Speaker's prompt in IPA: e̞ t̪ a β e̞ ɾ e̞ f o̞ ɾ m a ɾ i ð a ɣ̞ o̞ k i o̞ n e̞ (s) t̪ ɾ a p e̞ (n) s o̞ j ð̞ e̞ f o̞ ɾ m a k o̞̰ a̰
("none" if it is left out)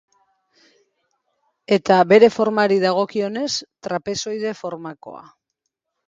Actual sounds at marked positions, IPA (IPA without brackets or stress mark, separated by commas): s, none